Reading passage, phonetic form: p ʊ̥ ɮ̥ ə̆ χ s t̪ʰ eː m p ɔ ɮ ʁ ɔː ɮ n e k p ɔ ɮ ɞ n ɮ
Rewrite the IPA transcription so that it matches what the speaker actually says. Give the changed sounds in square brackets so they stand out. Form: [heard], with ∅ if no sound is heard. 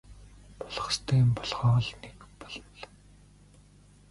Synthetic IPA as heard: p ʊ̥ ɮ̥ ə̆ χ s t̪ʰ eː m p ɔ ɮ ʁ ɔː ɮ n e k p ɔ ɮ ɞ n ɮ